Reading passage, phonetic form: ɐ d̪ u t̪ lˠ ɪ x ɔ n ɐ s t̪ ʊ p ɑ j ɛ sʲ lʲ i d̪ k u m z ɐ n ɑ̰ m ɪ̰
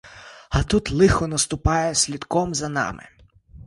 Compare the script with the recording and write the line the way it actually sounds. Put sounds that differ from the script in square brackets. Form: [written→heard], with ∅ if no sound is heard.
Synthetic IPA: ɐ [d̪→t̪] u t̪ lˠ ɪ x ɔ n ɐ s t̪ ʊ p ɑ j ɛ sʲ lʲ i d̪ k [u→ɔ] m z ɐ n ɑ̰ m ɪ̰